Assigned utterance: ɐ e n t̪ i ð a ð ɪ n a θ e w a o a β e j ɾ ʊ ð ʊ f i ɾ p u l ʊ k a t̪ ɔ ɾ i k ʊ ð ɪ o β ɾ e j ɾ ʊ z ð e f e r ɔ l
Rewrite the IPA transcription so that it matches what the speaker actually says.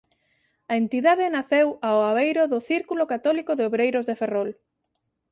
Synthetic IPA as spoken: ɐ e n t̪ i ð a ð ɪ n a θ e w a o a β e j ɾ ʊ ð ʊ θ i ɾ k u l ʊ k a t̪ ɔ l i k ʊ ð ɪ o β ɾ e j ɾ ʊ z ð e f e r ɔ l